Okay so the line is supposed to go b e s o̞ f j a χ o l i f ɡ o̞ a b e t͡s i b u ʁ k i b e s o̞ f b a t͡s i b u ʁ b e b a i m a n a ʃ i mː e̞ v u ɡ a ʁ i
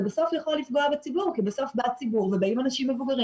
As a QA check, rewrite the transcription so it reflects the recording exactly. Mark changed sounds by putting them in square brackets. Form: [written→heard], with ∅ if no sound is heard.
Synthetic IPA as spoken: b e s o̞ f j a χ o l i f ɡ o̞ a b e t͡s i b u ʁ k i b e s o̞ f b a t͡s i b u ʁ [b→v] e b a i m a n a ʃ i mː e̞ v u ɡ a ʁ i